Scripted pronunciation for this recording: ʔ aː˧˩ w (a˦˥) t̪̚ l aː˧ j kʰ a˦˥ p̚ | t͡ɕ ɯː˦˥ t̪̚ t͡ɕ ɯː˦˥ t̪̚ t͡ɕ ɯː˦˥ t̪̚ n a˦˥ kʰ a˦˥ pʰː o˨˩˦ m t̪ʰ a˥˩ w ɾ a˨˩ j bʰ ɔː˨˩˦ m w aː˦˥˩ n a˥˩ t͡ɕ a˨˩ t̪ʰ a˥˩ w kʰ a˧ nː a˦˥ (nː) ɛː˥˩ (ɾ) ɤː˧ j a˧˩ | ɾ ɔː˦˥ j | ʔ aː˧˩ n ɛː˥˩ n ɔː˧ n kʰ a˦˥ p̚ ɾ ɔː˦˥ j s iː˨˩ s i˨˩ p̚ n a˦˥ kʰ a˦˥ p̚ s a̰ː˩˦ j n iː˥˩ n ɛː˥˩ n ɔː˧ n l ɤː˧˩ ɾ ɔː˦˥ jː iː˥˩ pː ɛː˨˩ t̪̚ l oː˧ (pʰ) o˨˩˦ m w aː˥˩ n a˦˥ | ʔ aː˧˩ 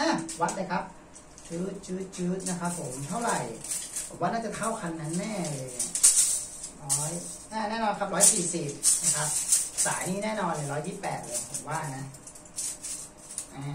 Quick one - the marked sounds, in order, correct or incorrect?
correct, correct, incorrect, correct

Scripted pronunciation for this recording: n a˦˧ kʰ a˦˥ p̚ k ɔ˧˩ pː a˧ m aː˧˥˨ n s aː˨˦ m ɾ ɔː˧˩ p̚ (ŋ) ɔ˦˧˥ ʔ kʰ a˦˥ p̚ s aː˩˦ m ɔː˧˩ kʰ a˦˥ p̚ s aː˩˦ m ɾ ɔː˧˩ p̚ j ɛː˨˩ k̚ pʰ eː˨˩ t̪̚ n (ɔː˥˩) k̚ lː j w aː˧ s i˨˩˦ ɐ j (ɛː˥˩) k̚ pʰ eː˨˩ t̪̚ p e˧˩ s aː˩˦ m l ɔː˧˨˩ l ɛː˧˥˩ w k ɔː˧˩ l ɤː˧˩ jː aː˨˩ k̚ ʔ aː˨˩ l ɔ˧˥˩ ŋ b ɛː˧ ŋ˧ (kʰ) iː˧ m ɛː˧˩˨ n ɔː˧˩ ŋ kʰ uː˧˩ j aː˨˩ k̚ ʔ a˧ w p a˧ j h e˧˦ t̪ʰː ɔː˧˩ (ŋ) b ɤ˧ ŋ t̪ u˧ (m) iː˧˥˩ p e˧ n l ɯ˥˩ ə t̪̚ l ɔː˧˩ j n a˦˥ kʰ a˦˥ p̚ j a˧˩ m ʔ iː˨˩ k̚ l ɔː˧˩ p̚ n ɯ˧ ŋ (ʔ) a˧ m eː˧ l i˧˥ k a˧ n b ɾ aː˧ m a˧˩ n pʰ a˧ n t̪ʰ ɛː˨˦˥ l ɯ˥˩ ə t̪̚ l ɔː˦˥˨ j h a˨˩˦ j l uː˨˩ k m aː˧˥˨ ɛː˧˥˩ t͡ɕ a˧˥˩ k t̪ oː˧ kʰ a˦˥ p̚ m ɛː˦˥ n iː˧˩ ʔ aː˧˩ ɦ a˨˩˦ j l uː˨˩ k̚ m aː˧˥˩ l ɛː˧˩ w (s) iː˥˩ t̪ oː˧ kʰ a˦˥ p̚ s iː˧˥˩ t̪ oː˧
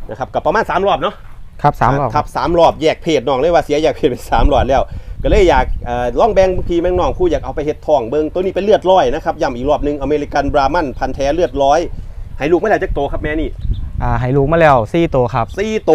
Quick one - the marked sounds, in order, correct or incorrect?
incorrect, incorrect, incorrect, incorrect, correct, incorrect, correct, correct

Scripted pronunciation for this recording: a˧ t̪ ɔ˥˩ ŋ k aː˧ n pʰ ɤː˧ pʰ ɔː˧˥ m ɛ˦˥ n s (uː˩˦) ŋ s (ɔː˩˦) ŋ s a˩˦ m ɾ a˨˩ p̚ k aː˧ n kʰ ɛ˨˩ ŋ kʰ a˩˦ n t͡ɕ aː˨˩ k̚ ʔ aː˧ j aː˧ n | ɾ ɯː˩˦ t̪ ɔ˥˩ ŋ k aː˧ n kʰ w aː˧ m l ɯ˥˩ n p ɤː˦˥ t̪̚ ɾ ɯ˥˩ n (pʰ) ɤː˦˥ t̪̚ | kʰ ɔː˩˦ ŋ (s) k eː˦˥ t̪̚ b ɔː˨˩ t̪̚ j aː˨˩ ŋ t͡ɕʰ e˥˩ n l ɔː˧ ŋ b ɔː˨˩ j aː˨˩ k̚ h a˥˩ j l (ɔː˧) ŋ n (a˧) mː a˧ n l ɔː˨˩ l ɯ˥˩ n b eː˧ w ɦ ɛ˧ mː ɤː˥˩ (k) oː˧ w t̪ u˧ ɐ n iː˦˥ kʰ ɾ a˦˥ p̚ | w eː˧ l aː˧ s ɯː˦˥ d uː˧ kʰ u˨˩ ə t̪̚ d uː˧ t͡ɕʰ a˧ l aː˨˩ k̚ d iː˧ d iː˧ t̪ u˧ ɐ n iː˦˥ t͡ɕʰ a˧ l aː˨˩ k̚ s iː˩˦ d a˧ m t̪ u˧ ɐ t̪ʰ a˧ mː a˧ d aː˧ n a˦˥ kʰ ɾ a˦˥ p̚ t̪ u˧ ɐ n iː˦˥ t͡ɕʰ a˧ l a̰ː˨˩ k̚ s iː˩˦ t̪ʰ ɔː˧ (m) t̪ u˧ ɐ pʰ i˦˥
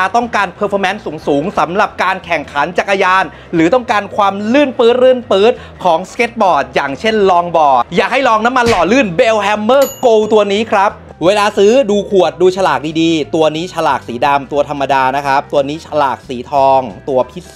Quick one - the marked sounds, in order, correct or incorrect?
correct, incorrect, incorrect, correct, correct, incorrect, correct, incorrect

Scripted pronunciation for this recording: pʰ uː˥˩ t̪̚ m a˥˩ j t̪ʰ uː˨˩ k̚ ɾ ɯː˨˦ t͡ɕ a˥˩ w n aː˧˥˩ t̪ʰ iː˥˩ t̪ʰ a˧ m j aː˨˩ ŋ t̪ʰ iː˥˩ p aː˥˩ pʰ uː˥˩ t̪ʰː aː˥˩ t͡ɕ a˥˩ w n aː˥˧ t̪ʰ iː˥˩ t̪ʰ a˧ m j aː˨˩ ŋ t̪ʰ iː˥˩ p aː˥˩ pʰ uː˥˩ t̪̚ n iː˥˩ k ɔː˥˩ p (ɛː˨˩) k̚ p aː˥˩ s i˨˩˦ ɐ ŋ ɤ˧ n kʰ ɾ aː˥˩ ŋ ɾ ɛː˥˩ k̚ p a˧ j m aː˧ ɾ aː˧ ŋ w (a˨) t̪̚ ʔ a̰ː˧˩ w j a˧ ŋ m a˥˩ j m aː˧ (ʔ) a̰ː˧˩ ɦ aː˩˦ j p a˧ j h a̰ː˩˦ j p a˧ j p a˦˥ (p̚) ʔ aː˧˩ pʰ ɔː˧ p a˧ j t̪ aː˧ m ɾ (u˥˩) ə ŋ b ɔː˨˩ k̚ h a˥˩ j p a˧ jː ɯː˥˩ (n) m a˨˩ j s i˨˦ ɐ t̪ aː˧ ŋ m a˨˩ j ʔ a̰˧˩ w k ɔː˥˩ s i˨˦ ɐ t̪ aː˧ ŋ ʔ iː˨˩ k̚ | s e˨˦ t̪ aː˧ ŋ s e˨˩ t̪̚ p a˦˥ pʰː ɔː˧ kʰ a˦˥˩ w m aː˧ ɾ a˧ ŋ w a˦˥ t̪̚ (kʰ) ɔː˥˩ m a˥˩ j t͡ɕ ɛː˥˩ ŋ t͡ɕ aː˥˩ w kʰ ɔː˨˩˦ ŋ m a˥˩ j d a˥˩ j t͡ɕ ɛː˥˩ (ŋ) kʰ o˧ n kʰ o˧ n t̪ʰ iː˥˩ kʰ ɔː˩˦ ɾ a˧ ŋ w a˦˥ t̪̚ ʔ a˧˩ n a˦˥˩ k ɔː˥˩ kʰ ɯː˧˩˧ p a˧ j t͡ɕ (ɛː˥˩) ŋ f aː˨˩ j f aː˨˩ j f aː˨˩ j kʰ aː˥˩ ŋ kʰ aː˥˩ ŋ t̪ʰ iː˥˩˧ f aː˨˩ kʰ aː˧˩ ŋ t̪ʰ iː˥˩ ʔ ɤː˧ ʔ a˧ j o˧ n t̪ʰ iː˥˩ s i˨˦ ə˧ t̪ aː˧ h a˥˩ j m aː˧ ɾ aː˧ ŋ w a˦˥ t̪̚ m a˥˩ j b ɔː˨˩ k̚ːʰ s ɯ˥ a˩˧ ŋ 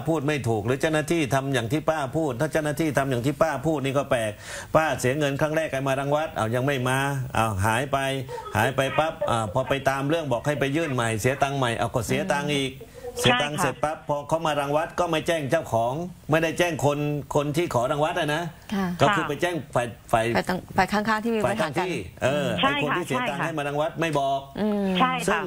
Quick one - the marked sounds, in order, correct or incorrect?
correct, incorrect, correct, correct, incorrect, correct, incorrect, correct, correct

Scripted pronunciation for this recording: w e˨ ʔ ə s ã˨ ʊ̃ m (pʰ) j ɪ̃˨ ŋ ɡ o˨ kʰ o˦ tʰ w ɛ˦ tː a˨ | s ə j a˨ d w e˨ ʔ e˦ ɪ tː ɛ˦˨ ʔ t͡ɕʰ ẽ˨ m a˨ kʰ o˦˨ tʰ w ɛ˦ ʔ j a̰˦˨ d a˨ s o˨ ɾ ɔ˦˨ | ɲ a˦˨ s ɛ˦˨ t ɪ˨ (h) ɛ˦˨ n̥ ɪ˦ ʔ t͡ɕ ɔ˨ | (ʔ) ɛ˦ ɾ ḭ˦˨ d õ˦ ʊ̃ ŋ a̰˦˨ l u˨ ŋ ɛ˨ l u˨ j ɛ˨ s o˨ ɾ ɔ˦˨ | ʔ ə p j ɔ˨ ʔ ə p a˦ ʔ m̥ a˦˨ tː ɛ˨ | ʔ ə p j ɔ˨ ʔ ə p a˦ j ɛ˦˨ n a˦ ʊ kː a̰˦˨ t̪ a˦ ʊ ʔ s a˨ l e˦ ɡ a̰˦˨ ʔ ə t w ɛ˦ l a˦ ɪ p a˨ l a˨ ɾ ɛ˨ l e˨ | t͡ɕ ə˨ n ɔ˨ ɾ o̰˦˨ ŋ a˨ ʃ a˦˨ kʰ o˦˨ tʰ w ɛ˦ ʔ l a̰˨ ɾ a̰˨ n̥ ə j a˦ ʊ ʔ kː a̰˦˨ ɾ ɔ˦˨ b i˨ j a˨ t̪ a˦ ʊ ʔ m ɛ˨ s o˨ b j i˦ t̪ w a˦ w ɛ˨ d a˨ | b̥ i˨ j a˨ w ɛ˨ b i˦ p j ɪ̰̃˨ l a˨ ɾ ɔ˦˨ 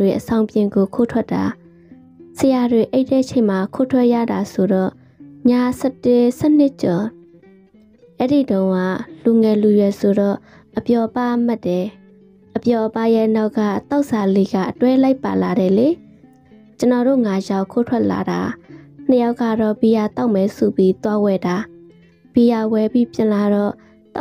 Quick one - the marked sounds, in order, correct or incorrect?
incorrect, incorrect, correct

